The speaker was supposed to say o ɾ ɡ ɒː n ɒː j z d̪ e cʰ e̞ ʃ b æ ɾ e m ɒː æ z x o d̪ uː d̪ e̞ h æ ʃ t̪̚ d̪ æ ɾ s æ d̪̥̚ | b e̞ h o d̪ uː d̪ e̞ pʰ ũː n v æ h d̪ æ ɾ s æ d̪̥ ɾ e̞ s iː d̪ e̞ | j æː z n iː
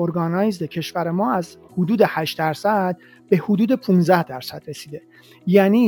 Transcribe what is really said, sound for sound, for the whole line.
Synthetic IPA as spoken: o ɾ ɡ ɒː n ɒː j z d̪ e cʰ e̞ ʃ v æ ɾ e m ɒː æ z h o d̪ uː d̪ e̞ h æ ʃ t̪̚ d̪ æ ɾ s æ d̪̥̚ | b e̞ h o d̪ uː d̪ e̞ pʰ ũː n z æ h d̪ æ ɾ s æ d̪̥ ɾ e̞ s iː d̪ e̞ | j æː n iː